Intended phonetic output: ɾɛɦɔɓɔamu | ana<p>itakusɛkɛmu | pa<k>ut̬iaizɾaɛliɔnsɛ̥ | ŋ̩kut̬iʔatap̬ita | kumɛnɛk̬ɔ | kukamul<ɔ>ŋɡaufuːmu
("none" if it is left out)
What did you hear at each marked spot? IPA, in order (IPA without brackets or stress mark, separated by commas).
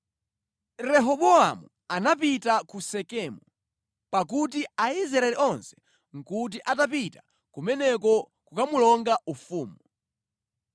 p, k, ɔ